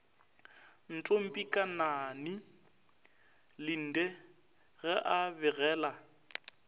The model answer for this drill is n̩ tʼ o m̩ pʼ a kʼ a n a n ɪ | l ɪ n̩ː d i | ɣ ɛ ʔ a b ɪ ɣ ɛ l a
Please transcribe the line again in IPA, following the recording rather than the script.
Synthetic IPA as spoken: n̩ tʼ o m̩ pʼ i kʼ a n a n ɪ | l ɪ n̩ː d ɛ | ɣ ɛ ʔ a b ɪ ɣ ɛː l a